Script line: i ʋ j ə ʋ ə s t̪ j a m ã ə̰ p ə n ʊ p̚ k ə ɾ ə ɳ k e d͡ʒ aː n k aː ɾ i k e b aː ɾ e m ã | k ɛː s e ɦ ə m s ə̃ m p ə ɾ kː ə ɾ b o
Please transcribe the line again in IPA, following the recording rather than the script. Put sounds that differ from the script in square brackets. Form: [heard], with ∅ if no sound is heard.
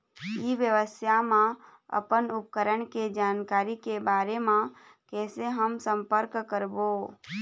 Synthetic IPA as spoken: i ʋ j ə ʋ ə s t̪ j a m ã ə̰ p ə n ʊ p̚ k ə ɾ ə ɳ k e d͡ʒ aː n k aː ɾ i k e b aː ɾ e m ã | k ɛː s e ɦ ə m s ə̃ m p ə ɾ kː ə ɾ b o